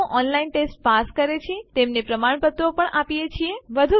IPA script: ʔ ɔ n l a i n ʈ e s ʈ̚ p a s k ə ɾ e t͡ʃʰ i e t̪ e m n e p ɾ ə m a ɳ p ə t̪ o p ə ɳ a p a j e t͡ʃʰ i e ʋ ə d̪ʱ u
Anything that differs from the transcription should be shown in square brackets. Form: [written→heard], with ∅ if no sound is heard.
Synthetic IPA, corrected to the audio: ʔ ɔ n l a i n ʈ e s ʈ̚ p a s k ə ɾ e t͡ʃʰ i e t̪ e m n e p ɾ ə m a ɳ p ə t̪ o p ə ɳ a p [a→i] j e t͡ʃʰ i e ʋ ə d̪ʱ u